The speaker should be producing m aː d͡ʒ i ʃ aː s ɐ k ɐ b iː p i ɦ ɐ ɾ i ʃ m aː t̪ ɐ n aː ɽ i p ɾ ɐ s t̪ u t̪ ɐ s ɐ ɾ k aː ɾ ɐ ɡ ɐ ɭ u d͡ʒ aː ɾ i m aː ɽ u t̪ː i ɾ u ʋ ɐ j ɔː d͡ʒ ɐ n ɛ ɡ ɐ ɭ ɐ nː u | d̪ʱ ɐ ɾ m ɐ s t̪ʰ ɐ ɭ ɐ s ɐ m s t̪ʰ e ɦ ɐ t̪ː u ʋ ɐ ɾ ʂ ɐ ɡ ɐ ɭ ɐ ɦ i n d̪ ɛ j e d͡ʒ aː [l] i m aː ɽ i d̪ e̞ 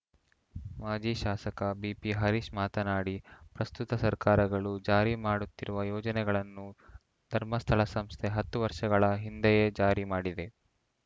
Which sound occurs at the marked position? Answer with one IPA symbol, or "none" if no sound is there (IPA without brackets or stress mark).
ɾ